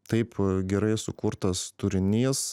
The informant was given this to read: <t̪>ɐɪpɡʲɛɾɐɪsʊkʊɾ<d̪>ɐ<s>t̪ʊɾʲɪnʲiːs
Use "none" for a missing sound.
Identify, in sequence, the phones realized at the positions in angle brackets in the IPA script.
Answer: t̪, t̪, s

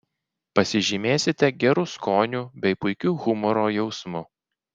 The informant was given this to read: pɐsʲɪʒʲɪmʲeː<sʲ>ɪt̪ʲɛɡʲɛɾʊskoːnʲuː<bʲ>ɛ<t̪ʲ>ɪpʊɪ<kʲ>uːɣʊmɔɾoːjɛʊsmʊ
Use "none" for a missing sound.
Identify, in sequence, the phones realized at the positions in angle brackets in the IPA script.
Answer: sʲ, bʲ, none, kʲ

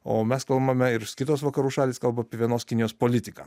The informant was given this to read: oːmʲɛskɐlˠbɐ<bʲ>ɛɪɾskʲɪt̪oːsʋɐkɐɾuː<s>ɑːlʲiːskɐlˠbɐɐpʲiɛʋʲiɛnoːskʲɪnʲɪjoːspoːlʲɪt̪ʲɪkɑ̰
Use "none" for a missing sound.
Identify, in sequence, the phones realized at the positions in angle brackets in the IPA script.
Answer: mʲ, ʃ

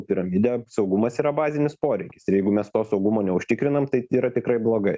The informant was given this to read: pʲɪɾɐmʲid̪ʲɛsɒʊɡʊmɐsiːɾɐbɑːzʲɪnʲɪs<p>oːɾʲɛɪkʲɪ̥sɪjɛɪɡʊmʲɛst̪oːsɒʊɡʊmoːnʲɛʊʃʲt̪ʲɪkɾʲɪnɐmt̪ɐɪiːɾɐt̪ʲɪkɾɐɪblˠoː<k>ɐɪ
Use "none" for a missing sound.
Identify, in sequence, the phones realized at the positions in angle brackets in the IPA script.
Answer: p, ɡ

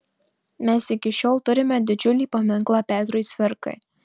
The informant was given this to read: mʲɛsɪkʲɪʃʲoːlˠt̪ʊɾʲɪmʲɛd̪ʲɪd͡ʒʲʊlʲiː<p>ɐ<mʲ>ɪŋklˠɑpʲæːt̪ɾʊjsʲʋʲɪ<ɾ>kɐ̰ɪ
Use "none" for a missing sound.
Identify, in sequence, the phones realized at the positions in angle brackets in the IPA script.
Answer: p, mʲ, ɾ

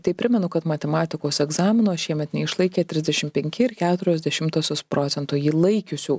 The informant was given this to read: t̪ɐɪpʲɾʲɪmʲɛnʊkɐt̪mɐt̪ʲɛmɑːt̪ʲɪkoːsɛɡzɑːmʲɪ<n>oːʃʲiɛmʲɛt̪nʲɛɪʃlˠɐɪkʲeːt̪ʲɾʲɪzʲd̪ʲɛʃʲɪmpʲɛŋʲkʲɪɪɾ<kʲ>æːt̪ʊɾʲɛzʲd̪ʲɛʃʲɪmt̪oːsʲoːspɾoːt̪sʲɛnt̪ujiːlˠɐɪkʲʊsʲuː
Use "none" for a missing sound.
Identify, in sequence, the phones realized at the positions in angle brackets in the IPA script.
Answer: n, kʲ

